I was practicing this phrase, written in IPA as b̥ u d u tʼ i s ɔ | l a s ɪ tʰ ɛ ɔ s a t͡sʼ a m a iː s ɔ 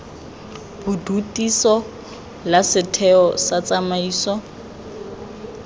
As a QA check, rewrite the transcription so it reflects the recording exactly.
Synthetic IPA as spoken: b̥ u d u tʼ i s ɔ | l a s ɪ tʰ ɛ ɔ s a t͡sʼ a m a iː s ɔ